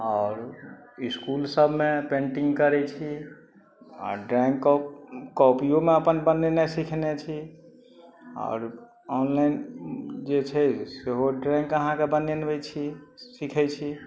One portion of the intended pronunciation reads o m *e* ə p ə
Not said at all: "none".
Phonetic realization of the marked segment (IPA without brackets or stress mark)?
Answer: e